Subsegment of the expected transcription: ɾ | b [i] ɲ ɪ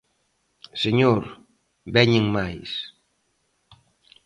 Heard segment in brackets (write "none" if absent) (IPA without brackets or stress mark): ɛ